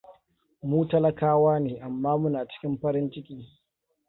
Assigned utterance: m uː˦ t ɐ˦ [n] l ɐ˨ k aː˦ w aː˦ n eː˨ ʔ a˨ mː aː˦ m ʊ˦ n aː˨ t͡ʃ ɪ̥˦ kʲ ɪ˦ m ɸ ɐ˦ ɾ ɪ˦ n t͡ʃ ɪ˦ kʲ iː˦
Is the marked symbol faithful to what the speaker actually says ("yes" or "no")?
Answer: no